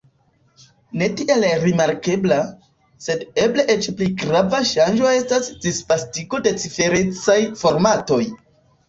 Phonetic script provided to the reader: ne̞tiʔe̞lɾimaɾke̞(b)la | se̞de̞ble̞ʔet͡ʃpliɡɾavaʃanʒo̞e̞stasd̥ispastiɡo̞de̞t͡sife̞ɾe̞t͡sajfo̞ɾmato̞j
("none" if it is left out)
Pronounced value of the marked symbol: b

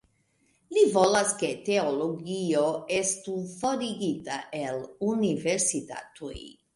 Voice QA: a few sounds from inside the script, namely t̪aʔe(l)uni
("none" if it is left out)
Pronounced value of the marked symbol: l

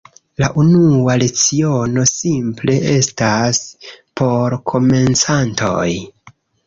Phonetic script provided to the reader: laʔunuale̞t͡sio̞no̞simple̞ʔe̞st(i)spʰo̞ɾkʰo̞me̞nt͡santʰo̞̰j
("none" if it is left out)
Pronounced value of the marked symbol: a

